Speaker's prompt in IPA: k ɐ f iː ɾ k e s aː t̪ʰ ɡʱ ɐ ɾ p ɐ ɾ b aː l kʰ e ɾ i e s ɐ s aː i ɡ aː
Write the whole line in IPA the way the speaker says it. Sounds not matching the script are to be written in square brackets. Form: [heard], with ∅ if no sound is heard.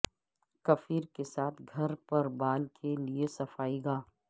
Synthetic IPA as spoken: k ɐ f iː ɾ k e s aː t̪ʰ ɡʱ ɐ ɾ p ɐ ɾ b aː l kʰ e [l] i e s ɐ [f] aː i ɡ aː